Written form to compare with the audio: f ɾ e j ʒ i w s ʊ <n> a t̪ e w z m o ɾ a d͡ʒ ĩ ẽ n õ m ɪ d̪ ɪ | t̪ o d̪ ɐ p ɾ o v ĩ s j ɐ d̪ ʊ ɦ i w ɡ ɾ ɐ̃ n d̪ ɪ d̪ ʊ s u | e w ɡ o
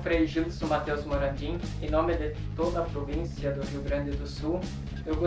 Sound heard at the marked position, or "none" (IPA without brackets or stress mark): m